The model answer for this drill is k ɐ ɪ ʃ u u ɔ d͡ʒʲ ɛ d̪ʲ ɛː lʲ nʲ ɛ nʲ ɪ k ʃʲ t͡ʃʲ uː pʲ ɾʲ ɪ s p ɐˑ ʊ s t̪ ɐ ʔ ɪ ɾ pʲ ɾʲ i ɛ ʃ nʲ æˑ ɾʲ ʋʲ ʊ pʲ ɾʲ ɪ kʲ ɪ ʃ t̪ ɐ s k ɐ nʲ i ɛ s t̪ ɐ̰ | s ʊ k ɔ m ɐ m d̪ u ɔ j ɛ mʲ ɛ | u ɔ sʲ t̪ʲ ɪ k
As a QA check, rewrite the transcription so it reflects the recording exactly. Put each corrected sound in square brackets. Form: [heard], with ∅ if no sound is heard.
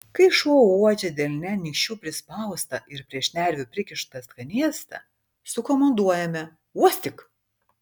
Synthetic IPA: k ɐ ɪ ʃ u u ɔ d͡ʒʲ ɛ d̪ʲ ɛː lʲ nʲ ɛ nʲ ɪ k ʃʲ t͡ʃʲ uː pʲ ɾʲ ɪ s p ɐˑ ʊ s t̪ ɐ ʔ ɪ ɾ pʲ ɾʲ i ɛ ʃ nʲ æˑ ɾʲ ʋʲ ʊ pʲ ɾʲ ɪ kʲ ɪ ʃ t̪ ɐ s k ɐ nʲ i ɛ s t̪ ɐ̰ | s ʊ k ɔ m ɐ [n] d̪ u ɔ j ɛ mʲ ɛ | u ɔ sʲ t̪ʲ ɪ k